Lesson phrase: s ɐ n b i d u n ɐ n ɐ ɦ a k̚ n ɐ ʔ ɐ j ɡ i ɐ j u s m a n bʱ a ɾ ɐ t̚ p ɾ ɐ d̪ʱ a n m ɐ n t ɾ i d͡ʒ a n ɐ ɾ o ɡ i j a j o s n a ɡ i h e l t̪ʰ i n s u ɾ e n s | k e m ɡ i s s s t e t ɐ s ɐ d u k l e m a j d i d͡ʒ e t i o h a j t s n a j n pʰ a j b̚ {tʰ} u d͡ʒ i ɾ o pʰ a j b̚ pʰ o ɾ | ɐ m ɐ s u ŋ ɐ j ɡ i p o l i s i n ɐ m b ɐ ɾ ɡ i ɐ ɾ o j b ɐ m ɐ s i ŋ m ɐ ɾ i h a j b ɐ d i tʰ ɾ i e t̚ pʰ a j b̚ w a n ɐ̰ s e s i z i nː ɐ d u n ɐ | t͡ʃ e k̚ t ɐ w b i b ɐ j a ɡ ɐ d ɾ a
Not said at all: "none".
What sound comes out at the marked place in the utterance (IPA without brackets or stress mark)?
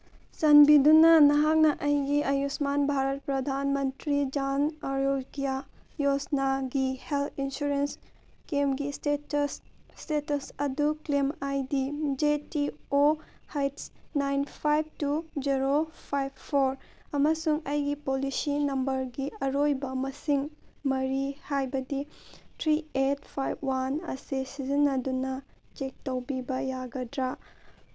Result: t